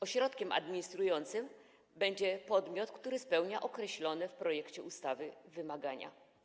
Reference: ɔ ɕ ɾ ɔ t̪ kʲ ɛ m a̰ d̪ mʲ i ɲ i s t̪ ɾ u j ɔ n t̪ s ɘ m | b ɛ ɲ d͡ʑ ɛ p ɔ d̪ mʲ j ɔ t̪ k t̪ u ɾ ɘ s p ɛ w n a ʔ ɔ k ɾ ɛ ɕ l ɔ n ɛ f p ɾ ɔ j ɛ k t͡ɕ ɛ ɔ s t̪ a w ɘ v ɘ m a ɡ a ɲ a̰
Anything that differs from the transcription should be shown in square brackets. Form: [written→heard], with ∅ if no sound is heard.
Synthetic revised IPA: ɔ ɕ ɾ ɔ t̪ kʲ ɛ m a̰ d̪ mʲ i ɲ i s t̪ ɾ u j ɔ n t̪ s ɘ m | b ɛ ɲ d͡ʑ ɛ p ɔ d̪ mʲ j ɔ t̪ k t̪ u ɾ ɘ s p ɛ w [n→ɲ] a ʔ ɔ k ɾ ɛ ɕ l ɔ n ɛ f p ɾ ɔ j ɛ k t͡ɕ ɛ [ɔ→u] s t̪ a [w→v] ɘ v ɘ m a ɡ a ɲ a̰